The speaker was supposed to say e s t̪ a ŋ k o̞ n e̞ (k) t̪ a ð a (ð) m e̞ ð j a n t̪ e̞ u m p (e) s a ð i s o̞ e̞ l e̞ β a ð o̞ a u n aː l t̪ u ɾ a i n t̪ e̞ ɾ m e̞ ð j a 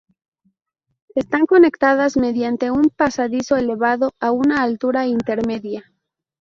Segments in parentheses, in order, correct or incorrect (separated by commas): correct, incorrect, incorrect